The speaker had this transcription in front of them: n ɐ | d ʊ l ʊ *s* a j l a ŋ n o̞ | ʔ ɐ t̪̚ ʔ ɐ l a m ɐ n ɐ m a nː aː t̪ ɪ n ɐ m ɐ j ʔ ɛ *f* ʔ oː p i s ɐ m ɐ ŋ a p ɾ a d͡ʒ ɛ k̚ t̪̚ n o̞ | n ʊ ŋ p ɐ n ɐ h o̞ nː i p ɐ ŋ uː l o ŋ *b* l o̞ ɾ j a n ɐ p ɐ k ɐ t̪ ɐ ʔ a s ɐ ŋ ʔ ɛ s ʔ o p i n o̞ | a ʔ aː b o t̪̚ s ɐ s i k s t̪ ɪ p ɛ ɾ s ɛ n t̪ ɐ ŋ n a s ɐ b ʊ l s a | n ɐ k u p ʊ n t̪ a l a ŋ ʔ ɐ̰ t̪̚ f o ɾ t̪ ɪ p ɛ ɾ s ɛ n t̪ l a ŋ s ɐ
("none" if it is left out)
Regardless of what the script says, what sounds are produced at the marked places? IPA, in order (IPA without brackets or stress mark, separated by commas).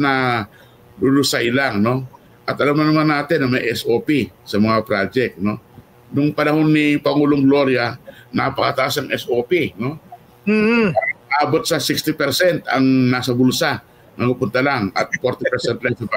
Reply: s, s, ɡ